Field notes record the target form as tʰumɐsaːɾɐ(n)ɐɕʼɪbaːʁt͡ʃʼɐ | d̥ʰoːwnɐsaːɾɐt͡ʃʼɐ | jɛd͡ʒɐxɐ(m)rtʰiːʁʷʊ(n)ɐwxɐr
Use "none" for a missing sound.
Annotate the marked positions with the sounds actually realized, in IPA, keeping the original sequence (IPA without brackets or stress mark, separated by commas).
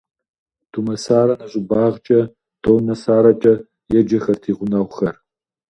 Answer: n, none, n